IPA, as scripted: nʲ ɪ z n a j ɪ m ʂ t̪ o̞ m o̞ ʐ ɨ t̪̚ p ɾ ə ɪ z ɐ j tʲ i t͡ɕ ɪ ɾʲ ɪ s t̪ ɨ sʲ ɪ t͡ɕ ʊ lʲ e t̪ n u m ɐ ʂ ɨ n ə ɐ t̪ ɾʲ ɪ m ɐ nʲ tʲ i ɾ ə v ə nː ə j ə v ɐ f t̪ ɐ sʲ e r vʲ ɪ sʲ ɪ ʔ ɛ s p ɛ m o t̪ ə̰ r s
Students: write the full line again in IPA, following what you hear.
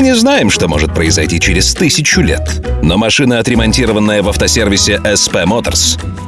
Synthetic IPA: nʲ ɪ z n a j ɪ m ʂ t̪ o̞ m o̞ ʐ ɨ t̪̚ p ɾ ə ɪ z ɐ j tʲ i t͡ɕ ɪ ɾʲ ɪ s t̪ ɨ sʲ ɪ t͡ɕ ʊ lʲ e t̪ n o m ɐ ʂ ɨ n ə ɐ t̪ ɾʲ ɪ m ɐ nʲ tʲ i ɾ ə v ə nː ə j ə v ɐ f t̪ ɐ sʲ e r vʲ ɪ sʲ ɪ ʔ ɛ s p ɛ m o t̪ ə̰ r s